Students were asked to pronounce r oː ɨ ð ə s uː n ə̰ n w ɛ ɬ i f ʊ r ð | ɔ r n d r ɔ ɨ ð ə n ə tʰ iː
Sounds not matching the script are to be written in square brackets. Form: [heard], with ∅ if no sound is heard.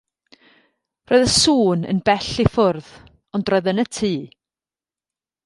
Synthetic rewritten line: r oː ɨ ð ə s uː n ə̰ n [b] ɛ ɬ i f ʊ r ð | ɔ [∅] n d r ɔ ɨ ð ə n ə tʰ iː